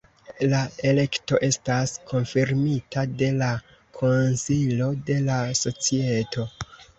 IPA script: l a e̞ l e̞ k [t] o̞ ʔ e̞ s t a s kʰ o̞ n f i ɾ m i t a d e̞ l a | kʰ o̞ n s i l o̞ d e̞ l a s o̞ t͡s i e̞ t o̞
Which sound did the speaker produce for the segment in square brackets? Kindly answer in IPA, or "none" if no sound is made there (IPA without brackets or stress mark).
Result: t